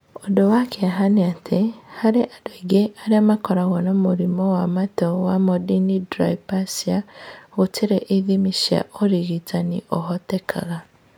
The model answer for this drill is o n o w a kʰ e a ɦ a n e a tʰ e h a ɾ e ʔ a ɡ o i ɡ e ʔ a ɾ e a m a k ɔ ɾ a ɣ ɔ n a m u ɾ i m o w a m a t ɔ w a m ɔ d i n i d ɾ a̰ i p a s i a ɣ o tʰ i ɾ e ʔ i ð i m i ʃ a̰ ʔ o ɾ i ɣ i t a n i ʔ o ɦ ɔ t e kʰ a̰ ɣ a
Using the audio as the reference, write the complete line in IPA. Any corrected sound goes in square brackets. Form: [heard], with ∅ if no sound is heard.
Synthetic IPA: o [d] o w a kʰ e a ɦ a n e a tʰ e h a ɾ e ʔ a [d] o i ɡ e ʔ a ɾ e a m a k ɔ ɾ a ɣ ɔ n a m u ɾ i m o w a m a t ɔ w a m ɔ d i n i d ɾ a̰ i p a s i a ɣ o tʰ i ɾ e ʔ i ð i m i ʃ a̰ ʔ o ɾ i ɣ i t a n i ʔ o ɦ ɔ t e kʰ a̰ ɣ a